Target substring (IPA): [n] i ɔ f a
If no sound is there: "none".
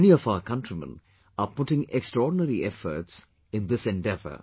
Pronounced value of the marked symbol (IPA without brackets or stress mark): n